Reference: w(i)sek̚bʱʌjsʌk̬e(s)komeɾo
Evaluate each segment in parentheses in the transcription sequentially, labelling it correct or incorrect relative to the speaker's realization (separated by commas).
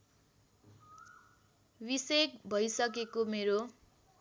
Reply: correct, incorrect